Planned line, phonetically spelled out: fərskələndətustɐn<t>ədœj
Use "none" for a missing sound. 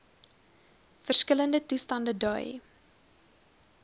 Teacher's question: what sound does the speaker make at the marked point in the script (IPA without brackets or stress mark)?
d